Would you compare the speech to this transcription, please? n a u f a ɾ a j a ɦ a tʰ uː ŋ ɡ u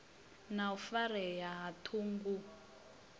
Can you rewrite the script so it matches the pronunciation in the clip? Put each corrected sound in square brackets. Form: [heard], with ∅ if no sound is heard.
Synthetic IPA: n a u f a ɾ [ɛ] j a ɦ a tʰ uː ŋ ɡ u